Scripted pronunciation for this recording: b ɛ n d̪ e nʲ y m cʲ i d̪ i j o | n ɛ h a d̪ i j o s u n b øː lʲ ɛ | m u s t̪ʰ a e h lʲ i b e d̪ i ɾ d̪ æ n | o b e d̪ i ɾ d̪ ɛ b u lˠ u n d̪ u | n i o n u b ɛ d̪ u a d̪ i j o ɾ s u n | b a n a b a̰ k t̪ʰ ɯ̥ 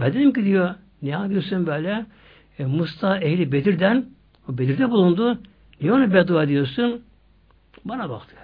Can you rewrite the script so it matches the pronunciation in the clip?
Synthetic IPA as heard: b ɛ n d̪ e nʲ i m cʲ i d̪ i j o | n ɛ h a d̪ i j o s u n b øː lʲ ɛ | m u s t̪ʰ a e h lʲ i b e d̪ i ɾ d̪ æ n | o b e d̪ i ɾ d̪ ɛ b u lˠ u n d̪ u | n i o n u b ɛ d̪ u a d̪ i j o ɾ s u n | b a n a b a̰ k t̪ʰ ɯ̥